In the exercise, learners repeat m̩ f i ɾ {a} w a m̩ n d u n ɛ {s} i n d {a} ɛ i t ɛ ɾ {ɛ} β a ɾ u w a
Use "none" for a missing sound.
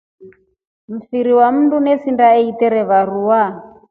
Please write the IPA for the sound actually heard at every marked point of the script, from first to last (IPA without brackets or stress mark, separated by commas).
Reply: i, s, a, ɛ